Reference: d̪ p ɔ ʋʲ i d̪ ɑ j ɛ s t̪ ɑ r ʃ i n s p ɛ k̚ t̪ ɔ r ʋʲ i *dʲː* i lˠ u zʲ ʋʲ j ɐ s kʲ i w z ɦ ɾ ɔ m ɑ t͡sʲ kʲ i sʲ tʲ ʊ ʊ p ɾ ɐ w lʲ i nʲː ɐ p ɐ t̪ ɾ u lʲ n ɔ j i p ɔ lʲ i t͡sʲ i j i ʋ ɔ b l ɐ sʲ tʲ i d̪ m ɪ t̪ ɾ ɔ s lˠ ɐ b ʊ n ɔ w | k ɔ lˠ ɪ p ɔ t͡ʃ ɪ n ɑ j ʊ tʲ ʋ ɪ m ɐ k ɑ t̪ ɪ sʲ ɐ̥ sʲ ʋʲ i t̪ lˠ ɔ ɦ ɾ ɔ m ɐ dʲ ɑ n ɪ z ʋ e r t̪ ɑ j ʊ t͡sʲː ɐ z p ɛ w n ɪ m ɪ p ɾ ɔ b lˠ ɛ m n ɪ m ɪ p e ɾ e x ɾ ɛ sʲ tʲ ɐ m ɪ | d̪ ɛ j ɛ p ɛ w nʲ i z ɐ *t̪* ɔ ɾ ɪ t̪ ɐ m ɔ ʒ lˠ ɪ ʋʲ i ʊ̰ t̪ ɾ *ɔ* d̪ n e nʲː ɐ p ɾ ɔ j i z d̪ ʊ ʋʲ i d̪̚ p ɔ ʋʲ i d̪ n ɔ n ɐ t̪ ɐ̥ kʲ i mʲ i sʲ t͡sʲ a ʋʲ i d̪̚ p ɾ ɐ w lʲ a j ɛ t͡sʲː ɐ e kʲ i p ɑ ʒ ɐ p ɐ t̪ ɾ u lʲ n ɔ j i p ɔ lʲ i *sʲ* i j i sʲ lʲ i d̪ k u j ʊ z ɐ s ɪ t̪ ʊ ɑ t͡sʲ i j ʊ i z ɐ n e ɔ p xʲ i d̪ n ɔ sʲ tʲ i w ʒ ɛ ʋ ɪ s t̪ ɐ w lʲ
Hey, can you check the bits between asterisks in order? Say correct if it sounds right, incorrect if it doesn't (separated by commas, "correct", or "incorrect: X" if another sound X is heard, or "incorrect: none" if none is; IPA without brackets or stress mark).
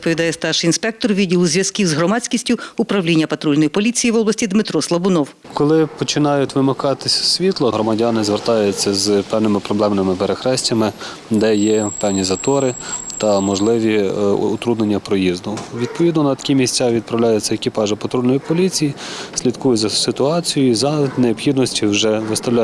incorrect: dʲ, correct, incorrect: u, incorrect: t͡sʲ